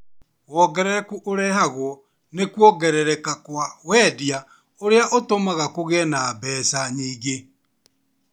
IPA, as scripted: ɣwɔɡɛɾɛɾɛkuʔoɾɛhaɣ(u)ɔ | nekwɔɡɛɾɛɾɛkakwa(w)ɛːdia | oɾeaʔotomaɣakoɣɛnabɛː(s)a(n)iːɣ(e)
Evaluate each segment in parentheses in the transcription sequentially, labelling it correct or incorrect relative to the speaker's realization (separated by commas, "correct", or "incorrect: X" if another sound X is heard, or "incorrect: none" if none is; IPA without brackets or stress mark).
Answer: incorrect: w, correct, correct, incorrect: ɲ, correct